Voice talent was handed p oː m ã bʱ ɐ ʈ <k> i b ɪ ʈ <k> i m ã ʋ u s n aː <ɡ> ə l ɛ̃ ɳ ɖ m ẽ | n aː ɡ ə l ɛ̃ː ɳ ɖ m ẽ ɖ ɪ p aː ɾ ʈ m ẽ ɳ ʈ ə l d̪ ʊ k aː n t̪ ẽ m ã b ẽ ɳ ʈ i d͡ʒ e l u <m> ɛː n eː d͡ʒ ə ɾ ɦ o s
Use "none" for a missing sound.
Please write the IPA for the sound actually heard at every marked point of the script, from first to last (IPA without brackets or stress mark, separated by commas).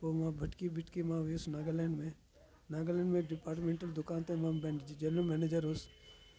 k, k, ɡ, m